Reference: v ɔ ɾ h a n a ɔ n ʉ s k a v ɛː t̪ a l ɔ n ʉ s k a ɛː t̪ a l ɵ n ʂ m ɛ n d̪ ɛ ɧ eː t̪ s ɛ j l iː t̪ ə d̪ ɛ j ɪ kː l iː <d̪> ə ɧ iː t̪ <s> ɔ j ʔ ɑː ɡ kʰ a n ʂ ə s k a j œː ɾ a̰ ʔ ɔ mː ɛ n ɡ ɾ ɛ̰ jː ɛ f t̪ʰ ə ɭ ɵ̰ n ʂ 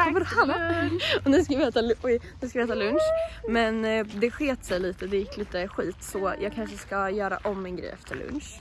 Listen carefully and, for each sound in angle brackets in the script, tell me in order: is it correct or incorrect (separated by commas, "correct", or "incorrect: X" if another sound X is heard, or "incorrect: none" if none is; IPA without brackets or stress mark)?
incorrect: t̪, correct